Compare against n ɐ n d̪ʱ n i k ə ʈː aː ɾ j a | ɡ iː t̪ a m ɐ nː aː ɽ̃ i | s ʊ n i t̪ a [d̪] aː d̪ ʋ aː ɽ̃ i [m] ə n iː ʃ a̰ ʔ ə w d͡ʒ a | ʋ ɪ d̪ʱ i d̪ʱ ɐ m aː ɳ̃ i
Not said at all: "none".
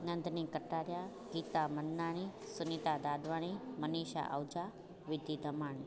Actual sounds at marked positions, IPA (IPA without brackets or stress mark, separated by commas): d̪, m